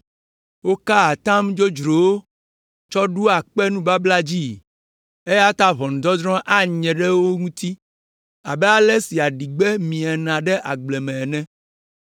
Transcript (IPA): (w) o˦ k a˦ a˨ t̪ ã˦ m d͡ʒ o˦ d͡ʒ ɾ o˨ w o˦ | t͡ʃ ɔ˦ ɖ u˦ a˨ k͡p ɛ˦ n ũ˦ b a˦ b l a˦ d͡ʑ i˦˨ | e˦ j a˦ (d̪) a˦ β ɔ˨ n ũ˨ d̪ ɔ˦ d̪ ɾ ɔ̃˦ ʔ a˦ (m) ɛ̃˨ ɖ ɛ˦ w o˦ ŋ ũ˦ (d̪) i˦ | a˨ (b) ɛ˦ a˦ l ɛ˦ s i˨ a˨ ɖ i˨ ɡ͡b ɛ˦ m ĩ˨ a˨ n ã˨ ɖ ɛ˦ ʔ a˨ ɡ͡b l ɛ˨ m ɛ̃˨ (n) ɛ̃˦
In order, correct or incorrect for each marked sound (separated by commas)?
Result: correct, incorrect, incorrect, incorrect, correct, correct